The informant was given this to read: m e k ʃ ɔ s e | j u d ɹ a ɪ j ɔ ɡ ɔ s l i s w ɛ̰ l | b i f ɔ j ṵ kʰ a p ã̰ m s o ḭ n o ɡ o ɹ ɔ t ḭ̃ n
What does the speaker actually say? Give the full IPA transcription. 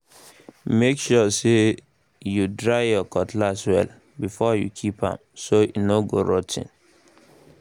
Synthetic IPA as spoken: m e k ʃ ɔ s e | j u d ɹ a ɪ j ɔ k ɔ t l a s w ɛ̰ l | b i f ɔ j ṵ kʰ i p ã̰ m s o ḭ n o ɡ o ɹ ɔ t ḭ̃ n